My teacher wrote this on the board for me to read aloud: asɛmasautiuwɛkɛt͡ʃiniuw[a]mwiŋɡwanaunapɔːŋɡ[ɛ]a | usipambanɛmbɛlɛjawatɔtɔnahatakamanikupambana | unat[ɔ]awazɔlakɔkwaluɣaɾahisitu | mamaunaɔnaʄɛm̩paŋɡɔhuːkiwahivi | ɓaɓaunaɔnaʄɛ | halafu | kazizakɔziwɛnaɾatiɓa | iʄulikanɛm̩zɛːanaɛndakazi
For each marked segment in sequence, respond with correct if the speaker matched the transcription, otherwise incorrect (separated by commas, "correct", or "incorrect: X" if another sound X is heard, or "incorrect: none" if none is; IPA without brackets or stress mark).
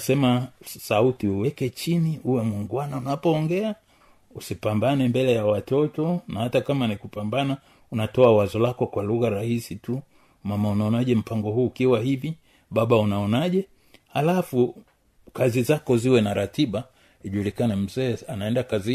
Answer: incorrect: ɛ, correct, correct